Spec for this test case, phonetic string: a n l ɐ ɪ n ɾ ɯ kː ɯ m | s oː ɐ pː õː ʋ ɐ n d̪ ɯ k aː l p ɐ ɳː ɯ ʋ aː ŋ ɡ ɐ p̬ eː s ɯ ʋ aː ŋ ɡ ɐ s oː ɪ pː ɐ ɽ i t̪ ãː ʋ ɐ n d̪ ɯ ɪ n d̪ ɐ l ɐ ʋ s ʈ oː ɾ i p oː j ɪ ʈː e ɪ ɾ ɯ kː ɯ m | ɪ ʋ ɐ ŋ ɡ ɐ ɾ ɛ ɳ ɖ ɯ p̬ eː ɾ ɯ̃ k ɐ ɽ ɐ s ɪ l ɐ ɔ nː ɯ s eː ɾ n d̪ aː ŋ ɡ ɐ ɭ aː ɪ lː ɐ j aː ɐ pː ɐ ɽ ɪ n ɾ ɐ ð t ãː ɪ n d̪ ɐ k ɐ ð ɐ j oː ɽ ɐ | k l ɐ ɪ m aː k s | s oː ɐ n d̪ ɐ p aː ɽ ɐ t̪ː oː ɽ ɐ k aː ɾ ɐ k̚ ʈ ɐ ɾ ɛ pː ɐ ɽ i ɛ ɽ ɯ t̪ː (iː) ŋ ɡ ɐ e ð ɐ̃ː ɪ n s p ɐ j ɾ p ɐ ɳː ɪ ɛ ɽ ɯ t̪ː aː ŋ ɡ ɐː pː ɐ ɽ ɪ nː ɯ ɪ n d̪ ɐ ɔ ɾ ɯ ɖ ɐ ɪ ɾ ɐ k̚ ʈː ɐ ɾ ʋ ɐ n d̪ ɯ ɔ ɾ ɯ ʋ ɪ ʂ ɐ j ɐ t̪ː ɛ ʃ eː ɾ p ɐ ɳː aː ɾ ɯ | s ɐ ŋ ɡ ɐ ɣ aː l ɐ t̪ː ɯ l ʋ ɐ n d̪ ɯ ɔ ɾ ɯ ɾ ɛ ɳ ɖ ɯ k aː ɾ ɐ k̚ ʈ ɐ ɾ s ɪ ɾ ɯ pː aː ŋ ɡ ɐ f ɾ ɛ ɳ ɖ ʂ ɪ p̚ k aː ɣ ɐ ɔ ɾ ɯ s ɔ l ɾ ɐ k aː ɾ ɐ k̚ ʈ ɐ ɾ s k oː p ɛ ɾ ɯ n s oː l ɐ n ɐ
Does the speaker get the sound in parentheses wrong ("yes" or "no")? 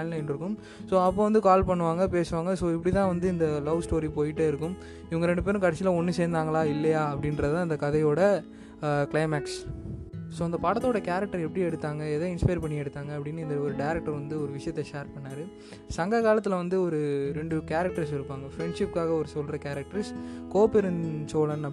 yes